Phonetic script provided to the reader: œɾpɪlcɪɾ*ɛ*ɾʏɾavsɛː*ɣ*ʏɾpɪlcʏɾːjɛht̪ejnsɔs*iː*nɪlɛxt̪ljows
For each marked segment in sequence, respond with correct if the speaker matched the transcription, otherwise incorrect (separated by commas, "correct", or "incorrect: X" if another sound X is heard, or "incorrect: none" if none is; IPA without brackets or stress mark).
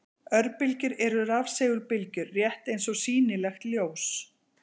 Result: correct, correct, correct